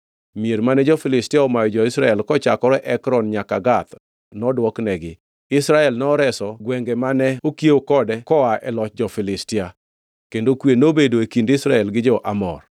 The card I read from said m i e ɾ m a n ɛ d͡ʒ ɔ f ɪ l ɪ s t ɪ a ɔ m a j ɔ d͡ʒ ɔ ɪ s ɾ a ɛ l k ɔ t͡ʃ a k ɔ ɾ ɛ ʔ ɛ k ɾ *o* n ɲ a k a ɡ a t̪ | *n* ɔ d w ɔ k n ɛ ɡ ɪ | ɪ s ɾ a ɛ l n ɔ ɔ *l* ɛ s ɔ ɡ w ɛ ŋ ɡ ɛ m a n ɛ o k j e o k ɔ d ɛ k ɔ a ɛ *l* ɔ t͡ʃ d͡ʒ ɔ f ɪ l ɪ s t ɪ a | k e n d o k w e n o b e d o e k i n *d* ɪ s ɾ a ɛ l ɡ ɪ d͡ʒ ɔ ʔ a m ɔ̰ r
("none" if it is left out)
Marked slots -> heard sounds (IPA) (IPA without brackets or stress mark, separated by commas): ɔ, n, ɾ, l, d